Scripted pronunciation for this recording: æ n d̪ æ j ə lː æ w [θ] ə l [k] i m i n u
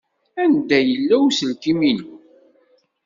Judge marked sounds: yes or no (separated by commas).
no, yes